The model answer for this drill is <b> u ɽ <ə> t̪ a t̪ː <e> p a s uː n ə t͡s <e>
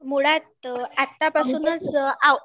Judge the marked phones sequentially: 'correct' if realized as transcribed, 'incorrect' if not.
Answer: incorrect, incorrect, incorrect, incorrect

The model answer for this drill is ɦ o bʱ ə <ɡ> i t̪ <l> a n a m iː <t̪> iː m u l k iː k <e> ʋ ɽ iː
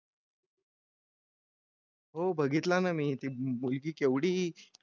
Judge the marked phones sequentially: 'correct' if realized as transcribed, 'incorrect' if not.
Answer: correct, correct, correct, correct

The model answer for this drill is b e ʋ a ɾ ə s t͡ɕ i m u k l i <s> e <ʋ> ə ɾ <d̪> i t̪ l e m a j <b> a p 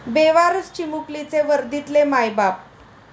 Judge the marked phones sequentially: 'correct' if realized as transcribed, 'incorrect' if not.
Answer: incorrect, correct, correct, correct

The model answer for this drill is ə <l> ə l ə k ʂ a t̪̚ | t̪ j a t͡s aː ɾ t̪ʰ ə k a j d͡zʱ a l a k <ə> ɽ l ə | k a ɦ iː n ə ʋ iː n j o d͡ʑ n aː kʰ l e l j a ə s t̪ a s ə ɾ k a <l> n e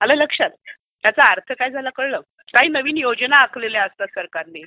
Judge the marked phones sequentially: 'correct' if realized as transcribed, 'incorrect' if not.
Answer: correct, correct, incorrect

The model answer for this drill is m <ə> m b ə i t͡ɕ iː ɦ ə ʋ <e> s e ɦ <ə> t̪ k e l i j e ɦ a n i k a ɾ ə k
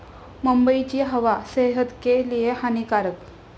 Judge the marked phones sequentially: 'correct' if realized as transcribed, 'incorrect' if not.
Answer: correct, incorrect, correct

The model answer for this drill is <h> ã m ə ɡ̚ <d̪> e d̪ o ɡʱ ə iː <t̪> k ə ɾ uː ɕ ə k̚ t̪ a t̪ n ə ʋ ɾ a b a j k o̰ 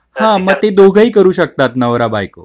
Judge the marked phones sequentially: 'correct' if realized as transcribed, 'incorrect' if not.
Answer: correct, incorrect, incorrect

